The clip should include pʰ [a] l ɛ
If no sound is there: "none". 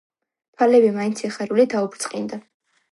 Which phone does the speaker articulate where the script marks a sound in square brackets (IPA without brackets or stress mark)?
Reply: a